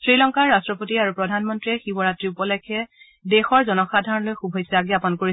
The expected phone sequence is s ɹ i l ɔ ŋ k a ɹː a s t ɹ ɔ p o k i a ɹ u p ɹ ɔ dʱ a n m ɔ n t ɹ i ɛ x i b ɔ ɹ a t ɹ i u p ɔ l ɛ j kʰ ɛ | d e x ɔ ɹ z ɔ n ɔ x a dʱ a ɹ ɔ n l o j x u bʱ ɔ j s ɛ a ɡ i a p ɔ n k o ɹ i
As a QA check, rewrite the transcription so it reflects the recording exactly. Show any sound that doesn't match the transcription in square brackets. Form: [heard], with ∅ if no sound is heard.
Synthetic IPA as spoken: s ɹ i l ɔ ŋ k a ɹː a s t ɹ ɔ p o [t] i a ɹ u p ɹ ɔ dʱ a n m ɔ n t ɹ i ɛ x i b ɔ ɹ a t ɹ i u p ɔ l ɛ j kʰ ɛ | d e x ɔ ɹ z ɔ n ɔ x a dʱ a ɹ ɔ n l o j x u bʱ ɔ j s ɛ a ɡ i a p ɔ n k o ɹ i